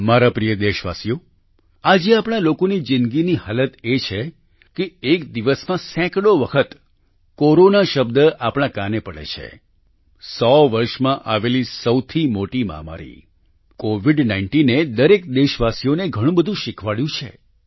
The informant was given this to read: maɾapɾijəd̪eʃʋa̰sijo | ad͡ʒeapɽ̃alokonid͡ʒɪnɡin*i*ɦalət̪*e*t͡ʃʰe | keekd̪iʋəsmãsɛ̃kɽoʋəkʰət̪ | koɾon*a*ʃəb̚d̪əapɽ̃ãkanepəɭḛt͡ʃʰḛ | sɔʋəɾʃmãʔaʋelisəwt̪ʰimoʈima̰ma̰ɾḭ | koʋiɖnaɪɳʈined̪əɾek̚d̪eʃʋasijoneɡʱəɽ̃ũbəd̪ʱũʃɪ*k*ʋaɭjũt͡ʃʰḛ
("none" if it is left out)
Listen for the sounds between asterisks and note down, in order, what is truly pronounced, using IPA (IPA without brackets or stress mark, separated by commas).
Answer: i, e, a, kʰ